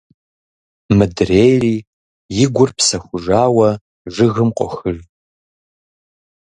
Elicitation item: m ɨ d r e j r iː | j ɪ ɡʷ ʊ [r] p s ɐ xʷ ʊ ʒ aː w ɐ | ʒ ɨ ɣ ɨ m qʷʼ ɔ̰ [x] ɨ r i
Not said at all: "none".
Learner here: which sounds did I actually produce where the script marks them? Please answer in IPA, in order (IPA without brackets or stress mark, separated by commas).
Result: r, x